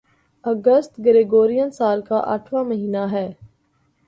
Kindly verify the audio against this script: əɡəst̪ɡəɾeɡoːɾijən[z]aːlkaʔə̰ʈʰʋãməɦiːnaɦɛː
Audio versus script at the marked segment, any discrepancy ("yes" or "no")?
yes